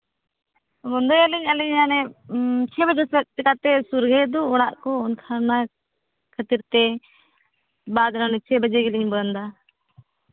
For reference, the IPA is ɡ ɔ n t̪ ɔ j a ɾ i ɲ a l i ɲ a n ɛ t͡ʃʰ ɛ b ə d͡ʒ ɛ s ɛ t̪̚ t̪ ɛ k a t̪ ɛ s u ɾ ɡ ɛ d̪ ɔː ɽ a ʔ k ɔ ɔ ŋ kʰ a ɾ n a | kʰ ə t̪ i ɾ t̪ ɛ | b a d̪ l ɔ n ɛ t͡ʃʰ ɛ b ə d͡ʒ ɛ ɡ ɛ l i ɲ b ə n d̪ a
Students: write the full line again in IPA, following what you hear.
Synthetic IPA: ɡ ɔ n d̪ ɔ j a l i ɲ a l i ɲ a n ɛ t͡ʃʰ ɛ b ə d͡ʒ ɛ s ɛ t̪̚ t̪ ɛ k a t̪ ɛ s u ɾ ɡ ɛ d̪ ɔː ɽ a ʔ k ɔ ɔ n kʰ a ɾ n a | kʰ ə t̪ i ɾ t̪ ɛ | b a d̪ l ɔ n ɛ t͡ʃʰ ɛ b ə d͡ʒ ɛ ɡ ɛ l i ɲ b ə n d̪ a